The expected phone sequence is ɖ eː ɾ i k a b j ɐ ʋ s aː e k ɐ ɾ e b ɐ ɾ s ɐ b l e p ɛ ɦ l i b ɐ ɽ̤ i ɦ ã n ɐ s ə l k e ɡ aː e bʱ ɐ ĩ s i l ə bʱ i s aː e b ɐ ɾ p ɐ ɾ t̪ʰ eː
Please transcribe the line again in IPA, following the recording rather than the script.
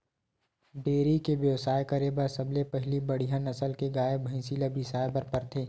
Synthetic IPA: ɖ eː ɾ i k e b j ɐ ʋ s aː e k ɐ ɾ e b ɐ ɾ s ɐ b l e p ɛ ɦ l i b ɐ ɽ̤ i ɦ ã n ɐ s ə l k e ɡ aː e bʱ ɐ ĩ s i l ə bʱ i s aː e b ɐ ɾ p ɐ ɾ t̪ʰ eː